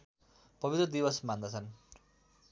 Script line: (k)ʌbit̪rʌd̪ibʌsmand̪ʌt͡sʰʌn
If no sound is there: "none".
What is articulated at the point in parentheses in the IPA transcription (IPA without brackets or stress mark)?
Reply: p